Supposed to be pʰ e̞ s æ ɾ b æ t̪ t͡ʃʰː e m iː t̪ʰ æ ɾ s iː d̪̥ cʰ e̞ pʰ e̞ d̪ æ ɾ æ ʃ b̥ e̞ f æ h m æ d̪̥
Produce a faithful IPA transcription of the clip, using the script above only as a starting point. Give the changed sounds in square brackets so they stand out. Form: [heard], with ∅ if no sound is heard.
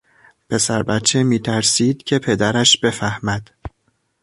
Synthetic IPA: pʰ e̞ s æ ɾ b æ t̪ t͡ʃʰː e m iː t̪ʰ æ ɾ s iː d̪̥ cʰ e̞ pʰ e̞ d̪ æ ɾ æ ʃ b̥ e̞ f æ h m æ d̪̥